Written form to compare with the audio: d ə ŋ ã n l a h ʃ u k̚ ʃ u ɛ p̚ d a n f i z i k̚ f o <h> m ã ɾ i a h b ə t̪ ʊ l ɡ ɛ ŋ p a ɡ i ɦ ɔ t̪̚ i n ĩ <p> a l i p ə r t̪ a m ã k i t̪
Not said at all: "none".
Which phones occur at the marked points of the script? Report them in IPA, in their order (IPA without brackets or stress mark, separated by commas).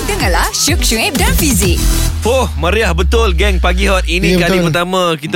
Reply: h, k